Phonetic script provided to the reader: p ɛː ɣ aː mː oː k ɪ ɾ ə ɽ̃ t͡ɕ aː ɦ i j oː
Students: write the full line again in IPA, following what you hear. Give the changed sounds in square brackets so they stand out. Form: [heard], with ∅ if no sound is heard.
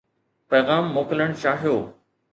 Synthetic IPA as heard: p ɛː ɣ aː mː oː k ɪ [l] ə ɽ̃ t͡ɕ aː ɦ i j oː